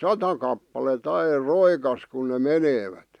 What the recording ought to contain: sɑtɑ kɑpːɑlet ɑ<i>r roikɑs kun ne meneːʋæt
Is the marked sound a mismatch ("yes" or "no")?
no